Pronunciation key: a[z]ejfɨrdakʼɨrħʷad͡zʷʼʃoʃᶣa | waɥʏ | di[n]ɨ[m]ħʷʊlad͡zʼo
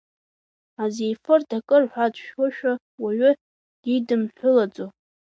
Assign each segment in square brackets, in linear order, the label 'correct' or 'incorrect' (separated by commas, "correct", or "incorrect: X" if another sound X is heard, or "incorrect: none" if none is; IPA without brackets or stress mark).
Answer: correct, incorrect: d, correct